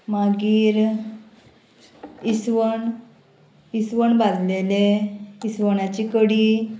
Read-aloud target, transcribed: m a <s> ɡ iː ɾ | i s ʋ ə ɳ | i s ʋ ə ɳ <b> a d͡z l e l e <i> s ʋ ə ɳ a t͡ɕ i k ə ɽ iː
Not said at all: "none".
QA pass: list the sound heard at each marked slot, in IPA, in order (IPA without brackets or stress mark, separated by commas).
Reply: none, b, i